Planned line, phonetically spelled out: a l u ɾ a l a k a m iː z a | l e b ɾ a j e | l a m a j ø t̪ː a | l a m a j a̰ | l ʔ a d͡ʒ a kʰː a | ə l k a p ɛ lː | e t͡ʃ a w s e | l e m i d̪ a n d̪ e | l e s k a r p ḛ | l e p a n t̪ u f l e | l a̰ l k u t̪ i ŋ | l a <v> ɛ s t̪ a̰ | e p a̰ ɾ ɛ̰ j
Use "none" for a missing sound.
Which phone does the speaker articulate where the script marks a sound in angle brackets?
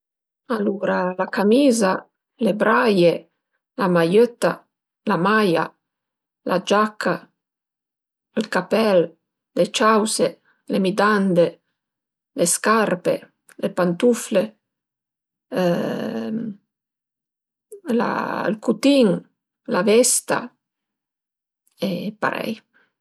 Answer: v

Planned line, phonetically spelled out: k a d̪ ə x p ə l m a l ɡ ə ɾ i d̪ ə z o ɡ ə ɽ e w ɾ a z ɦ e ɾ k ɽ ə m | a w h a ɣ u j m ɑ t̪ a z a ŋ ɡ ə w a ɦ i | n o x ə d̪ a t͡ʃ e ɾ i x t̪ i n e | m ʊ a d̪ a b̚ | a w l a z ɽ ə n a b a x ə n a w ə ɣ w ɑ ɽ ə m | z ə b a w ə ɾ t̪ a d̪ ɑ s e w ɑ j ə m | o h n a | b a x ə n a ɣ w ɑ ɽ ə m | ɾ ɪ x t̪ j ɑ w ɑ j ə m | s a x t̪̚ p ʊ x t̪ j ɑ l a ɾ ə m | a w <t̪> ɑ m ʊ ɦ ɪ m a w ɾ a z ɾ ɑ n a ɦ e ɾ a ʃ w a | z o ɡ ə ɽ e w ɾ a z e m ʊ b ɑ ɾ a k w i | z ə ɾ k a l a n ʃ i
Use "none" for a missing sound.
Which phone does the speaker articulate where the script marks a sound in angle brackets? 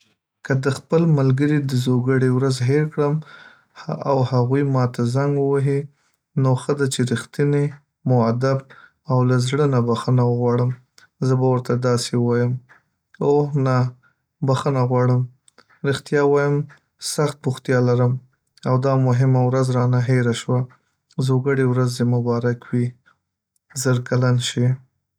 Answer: d̪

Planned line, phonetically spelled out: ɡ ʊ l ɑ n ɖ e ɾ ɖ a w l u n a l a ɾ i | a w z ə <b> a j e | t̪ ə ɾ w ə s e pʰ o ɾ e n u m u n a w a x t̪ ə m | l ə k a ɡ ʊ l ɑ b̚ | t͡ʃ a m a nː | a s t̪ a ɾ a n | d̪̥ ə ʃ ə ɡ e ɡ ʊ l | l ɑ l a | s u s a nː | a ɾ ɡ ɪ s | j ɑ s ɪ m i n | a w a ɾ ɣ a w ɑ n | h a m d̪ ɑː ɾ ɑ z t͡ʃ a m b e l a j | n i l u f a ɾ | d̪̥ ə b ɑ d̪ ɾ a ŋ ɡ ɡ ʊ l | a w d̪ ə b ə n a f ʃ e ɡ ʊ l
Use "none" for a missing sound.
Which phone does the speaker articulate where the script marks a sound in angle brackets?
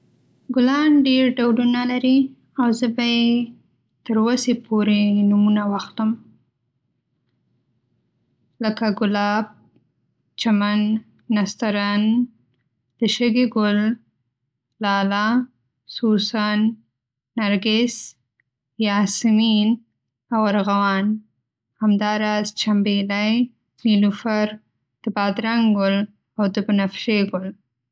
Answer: b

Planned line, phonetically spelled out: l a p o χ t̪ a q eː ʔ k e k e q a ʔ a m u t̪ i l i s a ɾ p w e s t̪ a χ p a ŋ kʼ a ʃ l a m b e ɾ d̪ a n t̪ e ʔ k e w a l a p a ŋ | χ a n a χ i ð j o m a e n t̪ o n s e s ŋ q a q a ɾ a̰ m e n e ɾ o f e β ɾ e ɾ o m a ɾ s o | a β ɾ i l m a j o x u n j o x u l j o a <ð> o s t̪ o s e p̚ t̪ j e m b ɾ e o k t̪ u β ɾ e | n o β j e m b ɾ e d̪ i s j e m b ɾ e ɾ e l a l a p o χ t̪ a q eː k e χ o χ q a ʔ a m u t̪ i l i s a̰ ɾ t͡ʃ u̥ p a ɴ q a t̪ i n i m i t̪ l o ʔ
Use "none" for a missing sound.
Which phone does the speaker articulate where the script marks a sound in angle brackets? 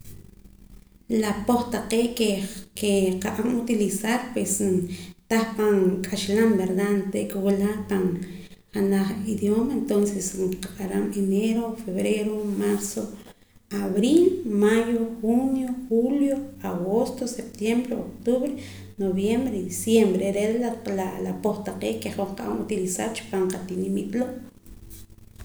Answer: ɣ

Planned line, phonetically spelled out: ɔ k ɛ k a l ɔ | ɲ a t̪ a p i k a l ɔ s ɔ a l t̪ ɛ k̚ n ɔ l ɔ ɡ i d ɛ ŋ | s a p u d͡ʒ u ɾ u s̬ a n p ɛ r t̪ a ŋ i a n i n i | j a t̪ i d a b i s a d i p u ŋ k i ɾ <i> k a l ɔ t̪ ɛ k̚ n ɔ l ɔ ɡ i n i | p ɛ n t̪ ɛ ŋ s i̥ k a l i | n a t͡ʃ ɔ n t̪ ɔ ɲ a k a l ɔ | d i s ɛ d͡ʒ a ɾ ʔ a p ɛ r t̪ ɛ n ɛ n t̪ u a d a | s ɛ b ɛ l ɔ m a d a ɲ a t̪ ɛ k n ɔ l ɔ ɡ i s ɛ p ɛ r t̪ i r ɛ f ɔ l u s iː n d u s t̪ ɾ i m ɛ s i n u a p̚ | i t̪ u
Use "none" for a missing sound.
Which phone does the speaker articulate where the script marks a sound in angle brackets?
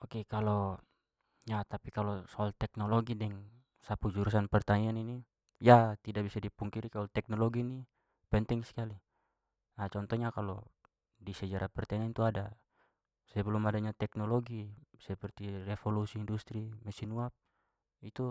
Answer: i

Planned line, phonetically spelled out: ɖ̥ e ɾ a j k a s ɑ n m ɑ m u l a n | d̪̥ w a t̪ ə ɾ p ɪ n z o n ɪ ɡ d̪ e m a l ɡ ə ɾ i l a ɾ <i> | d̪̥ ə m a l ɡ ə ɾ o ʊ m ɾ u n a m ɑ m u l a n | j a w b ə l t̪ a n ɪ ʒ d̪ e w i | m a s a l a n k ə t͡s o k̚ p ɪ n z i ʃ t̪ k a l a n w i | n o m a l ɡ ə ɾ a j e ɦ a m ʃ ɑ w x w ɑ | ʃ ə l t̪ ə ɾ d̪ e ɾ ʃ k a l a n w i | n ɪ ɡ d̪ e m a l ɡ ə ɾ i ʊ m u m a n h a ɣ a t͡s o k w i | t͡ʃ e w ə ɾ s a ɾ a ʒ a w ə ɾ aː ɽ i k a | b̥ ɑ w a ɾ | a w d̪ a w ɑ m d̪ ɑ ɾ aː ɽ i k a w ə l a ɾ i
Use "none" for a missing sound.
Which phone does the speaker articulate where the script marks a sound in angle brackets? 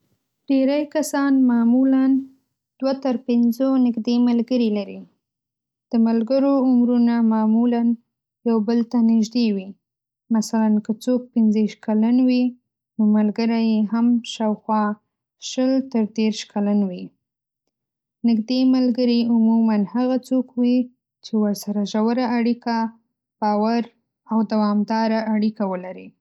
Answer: i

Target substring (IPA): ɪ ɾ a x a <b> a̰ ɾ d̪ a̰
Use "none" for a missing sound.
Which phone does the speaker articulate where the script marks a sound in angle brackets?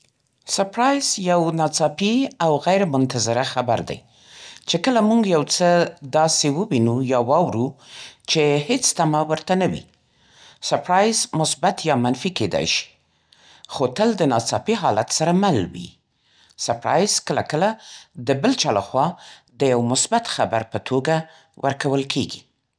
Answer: b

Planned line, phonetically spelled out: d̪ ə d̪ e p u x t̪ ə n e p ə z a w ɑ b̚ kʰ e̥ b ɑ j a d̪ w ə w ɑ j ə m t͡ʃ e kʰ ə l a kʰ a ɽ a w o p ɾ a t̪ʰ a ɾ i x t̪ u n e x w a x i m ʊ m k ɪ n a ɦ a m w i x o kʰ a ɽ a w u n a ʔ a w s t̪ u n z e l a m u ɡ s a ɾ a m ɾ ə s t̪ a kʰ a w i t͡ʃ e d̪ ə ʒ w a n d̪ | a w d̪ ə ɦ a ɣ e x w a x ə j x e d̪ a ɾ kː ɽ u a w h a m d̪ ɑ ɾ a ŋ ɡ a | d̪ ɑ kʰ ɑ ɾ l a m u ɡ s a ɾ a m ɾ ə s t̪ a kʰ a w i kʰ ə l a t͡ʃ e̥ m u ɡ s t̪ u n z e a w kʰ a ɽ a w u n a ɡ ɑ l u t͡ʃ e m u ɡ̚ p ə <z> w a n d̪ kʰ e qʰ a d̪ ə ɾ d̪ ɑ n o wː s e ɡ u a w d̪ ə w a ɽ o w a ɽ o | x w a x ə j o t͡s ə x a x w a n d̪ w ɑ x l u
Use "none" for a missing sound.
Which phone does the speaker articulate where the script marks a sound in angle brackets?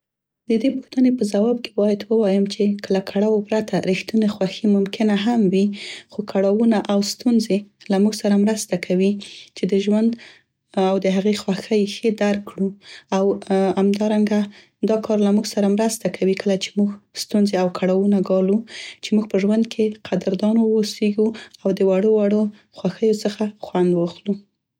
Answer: ʒ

